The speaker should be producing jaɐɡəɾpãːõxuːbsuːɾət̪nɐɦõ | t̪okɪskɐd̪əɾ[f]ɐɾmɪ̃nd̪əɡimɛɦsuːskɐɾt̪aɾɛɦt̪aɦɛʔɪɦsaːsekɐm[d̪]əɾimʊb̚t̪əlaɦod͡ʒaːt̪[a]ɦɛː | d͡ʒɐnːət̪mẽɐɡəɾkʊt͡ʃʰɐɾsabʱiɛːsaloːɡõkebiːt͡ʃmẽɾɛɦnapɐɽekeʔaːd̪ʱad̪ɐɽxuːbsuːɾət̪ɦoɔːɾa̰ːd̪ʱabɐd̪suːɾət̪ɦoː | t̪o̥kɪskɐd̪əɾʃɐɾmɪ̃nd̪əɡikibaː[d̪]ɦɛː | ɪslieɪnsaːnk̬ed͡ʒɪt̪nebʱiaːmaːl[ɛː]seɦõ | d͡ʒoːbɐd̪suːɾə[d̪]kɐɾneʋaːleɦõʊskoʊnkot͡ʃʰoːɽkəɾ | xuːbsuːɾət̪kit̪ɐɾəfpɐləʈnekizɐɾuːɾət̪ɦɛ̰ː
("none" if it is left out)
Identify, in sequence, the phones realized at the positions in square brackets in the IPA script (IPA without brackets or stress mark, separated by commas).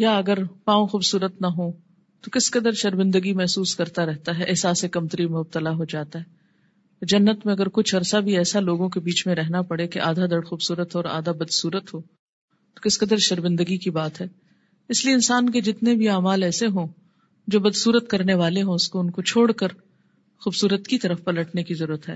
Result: ʃ, t̪, a, t̪, ɛː, t̪